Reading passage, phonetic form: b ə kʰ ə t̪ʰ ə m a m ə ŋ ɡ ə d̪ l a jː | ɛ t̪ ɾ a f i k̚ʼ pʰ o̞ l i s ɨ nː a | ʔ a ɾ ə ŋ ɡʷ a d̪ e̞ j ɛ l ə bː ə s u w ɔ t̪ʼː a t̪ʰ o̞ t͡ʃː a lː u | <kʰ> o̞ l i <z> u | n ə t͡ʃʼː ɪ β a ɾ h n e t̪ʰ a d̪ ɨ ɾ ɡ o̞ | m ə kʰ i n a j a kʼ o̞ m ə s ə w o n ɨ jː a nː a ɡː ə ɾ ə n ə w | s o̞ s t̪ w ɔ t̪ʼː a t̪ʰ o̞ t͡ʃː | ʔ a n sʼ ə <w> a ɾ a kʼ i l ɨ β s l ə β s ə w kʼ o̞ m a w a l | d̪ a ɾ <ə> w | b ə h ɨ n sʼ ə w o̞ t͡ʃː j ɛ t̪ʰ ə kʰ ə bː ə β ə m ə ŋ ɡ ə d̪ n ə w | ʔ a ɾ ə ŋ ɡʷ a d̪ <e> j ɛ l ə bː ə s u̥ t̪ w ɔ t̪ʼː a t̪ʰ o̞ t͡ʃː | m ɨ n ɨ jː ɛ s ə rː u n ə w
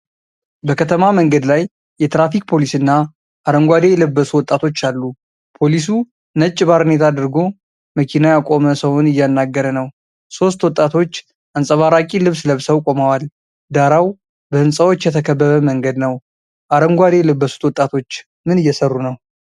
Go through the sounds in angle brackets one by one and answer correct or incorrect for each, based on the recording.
incorrect, incorrect, incorrect, incorrect, correct

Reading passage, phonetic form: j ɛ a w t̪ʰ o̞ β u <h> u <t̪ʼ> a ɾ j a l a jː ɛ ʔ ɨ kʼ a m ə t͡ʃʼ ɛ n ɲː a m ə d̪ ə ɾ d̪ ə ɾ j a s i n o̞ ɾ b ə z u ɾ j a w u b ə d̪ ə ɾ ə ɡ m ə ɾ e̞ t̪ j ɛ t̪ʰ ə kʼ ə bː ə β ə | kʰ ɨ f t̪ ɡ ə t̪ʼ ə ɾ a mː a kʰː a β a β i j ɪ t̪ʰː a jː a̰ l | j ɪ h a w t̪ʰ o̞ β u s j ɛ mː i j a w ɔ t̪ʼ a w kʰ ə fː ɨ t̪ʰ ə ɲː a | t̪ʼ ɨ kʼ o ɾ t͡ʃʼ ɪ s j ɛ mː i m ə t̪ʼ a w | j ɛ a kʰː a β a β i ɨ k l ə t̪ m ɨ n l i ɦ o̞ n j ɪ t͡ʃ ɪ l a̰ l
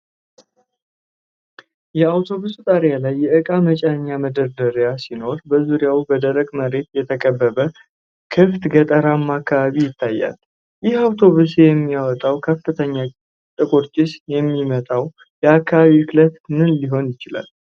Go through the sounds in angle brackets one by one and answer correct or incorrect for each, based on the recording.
incorrect, correct

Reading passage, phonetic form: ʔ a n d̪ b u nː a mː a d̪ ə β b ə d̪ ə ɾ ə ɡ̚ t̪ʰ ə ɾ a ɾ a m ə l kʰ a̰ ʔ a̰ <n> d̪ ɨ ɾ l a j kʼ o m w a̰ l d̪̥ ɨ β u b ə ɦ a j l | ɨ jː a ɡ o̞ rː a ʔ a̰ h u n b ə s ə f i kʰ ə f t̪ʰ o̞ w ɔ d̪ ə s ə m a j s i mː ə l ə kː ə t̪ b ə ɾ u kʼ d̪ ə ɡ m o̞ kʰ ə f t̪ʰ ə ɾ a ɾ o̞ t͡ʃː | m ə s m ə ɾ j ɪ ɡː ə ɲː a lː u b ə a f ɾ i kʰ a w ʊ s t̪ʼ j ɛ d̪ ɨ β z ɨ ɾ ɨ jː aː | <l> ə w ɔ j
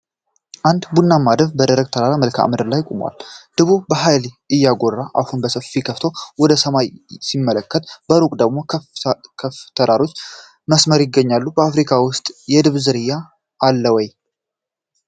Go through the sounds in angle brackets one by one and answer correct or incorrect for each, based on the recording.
incorrect, incorrect

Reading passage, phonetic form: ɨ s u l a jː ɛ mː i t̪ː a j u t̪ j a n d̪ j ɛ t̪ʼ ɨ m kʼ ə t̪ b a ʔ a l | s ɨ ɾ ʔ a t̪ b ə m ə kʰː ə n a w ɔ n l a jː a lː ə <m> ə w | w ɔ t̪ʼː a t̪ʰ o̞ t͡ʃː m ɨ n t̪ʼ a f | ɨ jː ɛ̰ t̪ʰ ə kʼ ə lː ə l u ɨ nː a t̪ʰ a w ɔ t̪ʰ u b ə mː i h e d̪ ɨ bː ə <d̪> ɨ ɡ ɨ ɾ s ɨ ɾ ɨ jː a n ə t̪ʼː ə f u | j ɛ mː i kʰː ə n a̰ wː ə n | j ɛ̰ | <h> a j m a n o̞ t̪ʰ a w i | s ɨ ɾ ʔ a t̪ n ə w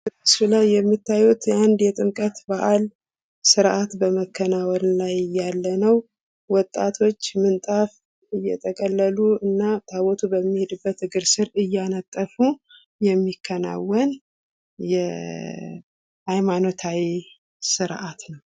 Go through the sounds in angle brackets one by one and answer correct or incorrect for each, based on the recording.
incorrect, incorrect, correct

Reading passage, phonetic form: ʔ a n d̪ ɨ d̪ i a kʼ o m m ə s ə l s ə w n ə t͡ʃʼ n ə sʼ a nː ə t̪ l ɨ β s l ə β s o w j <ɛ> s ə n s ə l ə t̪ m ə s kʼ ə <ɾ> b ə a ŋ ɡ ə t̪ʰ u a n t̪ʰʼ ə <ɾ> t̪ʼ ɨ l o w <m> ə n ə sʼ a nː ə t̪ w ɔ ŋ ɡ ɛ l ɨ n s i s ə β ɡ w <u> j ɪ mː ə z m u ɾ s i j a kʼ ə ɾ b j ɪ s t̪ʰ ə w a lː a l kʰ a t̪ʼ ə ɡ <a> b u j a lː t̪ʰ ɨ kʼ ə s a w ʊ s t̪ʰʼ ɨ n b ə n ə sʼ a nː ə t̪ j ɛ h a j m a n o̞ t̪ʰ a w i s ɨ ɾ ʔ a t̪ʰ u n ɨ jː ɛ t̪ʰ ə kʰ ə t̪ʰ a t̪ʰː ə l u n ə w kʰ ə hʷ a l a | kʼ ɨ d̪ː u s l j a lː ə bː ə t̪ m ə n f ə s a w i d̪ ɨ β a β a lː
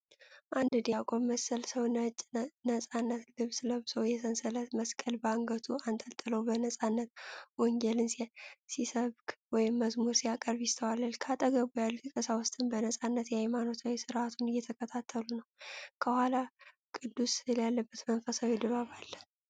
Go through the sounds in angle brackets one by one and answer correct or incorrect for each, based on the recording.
correct, incorrect, incorrect, incorrect, incorrect, incorrect

